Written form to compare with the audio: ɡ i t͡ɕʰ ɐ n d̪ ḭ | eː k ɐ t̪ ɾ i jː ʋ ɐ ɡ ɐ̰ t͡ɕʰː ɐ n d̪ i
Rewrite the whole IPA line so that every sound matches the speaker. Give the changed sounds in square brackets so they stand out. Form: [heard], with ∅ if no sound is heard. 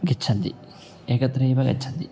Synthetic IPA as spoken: ɡ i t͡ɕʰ ɐ n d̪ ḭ | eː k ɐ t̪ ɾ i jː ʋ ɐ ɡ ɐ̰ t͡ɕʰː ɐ n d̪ i